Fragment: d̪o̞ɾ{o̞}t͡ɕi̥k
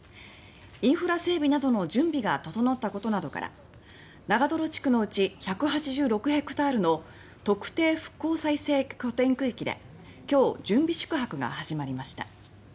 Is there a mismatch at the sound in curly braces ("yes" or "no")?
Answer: no